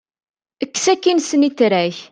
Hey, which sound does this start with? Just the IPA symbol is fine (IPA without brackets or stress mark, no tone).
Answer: ə